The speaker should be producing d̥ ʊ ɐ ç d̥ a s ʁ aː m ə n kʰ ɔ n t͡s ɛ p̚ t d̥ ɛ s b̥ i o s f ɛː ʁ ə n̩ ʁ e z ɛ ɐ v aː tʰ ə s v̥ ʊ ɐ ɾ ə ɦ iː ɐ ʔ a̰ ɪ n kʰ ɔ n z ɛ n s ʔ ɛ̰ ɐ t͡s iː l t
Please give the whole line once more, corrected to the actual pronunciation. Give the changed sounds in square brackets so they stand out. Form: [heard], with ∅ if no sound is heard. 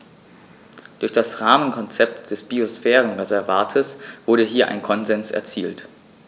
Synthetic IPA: d̥ ʊ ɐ ç d̥ a s ʁ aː m ə n kʰ ɔ n t͡s ɛ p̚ t d̥ ɛ s b̥ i o s f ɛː ʁ ə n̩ ʁ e z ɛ ɐ v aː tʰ ə s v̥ ʊ ɐ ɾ ə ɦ iː ɐ ʔ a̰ ɪ n kʰ ɔ n z ɛ n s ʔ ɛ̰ ɐ t͡s iː l t